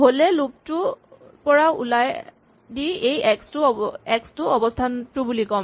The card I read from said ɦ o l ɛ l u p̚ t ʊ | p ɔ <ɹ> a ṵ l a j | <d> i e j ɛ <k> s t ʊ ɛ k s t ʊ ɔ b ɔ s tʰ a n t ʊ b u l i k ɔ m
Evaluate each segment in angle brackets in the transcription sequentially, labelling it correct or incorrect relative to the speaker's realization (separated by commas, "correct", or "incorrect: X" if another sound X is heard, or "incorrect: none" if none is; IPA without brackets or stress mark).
correct, correct, correct